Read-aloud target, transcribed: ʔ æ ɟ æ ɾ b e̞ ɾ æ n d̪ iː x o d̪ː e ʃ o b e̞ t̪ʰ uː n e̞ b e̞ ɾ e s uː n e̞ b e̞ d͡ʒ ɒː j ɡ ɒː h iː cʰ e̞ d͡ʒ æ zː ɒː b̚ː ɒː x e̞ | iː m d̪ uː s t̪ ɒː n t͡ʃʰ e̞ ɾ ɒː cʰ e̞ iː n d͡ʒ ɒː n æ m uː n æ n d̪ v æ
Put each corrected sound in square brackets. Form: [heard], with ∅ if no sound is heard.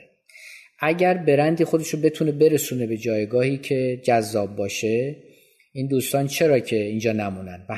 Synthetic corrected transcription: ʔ æ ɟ æ ɾ b e̞ ɾ æ n d̪ iː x o [d̪] e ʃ o b e̞ t̪ʰ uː n e̞ b e̞ ɾ e s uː n e̞ b e̞ d͡ʒ ɒː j ɡ ɒː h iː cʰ e̞ d͡ʒ æ zː ɒː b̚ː ɒː [ʃ] e̞ | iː [n] d̪ uː s t̪ ɒː n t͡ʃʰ e̞ ɾ ɒː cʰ e̞ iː n d͡ʒ ɒː n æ m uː n æ n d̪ v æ